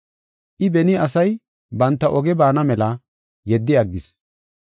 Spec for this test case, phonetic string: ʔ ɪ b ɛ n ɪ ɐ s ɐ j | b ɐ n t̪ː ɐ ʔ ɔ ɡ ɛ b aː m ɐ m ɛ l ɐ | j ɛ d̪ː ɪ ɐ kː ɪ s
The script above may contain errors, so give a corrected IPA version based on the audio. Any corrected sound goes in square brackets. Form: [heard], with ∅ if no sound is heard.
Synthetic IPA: ʔ ɪ b ɛ n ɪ ɐ s ɐ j | b ɐ n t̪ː ɐ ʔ ɔ ɡ ɛ b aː [n] ɐ m ɛ l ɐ | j ɛ d̪ː ɪ ɐ [ɡː] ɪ s

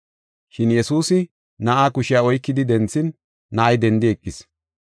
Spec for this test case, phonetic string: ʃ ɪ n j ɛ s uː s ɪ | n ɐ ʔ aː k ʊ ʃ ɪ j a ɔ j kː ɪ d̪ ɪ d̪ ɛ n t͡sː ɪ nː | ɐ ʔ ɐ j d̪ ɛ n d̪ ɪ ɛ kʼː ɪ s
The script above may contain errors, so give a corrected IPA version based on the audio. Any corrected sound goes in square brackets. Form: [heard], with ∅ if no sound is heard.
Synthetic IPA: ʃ ɪ n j ɛ s uː s ɪ | n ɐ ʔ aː k ʊ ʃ ɪ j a ɔ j kː ɪ d̪ ɪ d̪ ɛ n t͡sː ɪ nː | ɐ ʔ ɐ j d̪ ɛ n d̪ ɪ ɛ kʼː ɪ s

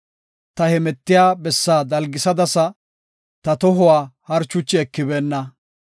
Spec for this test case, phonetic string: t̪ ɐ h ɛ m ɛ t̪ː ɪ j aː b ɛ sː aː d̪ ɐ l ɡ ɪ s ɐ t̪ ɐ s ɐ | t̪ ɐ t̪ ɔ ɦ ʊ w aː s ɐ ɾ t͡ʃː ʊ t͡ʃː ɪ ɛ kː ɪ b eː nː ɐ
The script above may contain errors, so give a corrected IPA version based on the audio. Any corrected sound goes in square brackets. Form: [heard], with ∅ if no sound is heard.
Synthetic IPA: t̪ ɐ h ɛ m ɛ t̪ː ɪ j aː b ɛ sː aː d̪ ɐ l ɡ ɪ s ɐ [d̪] ɐ s ɐ | t̪ ɐ t̪ ɔ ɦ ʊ w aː [h] ɐ ɾ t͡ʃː ʊ t͡ʃː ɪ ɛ kː ɪ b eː nː ɐ

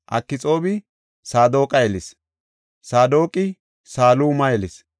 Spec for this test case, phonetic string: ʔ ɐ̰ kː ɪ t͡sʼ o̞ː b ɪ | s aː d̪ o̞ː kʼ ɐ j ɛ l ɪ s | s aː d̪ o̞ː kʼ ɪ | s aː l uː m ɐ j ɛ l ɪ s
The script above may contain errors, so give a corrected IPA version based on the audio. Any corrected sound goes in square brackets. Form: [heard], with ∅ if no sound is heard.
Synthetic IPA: ʔ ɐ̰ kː ɪ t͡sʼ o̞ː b ɪ | s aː d̪ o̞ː kʼ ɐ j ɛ l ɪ s | s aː d̪ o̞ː kʼ ɪ | s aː l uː m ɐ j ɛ l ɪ s

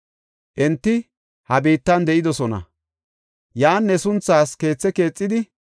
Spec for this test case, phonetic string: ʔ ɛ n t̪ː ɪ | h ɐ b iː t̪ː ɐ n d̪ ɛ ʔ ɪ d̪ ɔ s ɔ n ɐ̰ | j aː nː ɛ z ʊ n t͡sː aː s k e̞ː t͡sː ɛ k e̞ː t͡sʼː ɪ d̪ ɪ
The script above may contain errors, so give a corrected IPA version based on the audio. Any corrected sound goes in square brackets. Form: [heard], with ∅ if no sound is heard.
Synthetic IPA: ʔ ɛ n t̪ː ɪ | h ɐ b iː t̪ː ɐ n d̪ ɛ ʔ ɪ d̪ ɔ s ɔ n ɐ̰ | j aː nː ɛ [s] ʊ n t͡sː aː s k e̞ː t͡sː ɛ k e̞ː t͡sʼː ɪ d̪ ɪ

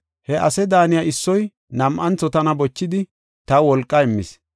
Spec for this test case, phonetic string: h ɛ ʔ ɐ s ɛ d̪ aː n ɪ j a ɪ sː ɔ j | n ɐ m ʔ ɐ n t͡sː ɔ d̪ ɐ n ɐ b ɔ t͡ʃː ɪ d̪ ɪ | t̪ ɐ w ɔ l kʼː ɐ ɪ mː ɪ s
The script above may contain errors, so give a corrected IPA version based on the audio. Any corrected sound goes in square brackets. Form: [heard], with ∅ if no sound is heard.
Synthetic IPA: h ɛ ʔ ɐ s ɛ d̪ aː n ɪ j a ɪ sː ɔ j | n ɐ m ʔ ɐ n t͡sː ɔ [t̪] ɐ n ɐ b ɔ t͡ʃː ɪ d̪ ɪ | t̪ ɐ w ɔ l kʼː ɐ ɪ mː ɪ s

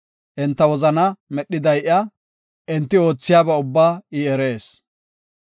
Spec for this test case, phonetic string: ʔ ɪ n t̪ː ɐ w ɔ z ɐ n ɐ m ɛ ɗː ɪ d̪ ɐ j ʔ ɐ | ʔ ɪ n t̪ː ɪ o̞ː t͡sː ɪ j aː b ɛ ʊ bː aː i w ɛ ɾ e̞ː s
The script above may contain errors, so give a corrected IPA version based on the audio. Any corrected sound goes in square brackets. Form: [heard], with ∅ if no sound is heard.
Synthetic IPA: ʔ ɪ n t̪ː ɐ w ɔ z ɐ n ɐ m ɛ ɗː ɪ d̪ ɐ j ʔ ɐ | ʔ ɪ n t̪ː ɪ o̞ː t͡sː ɪ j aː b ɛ ʊ bː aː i [∅] ɛ ɾ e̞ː s

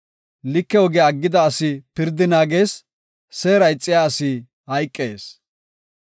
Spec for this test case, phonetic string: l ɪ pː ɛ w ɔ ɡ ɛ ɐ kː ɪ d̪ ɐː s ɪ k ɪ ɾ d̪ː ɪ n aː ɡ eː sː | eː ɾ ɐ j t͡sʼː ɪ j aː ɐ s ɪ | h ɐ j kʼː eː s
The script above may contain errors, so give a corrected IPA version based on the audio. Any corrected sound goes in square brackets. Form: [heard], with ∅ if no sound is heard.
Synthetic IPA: l ɪ [kː] ɛ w ɔ ɡ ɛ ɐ [ɡː] ɪ d̪ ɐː s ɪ [p] ɪ ɾ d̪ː ɪ n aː ɡ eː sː | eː ɾ ɐ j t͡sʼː ɪ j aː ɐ s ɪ | h ɐ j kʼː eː s

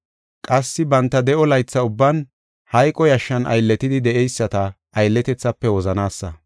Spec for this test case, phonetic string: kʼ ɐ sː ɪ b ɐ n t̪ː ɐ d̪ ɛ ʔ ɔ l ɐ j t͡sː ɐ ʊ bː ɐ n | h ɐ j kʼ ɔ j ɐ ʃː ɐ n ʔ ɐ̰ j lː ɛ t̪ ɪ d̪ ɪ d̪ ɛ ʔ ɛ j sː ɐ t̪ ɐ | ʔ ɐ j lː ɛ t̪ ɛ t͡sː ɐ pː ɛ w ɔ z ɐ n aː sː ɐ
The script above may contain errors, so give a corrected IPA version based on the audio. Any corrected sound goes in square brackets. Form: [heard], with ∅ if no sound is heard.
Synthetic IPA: kʼ ɐ sː ɪ b ɐ n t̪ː ɐ d̪ ɛ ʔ ɔ l ɐ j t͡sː ɐ ʊ bː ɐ n | h ɐ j kʼ ɔ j ɐ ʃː ɐ n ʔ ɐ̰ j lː ɛ t̪ ɪ d̪ ɪ d̪ ɛ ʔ ɛ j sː ɐ t̪ ɐ | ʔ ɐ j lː ɛ t̪ ɛ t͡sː ɐ pː ɛ w ɔ z ɐ n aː sː ɐ

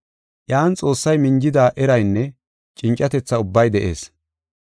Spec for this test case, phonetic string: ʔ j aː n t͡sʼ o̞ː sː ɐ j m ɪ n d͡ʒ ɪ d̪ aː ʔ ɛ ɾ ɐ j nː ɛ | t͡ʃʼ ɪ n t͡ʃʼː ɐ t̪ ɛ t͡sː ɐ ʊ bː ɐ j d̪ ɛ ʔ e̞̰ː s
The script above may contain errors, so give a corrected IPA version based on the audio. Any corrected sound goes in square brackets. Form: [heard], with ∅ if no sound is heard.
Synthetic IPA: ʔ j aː n t͡sʼ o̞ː sː ɐ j m ɪ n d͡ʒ ɪ d̪ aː ʔ ɛ ɾ ɐ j nː ɛ | t͡ʃʼ ɪ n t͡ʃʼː ɐ t̪ ɛ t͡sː ɐ ʊ bː ɐ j d̪ ɛ ʔ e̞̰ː s

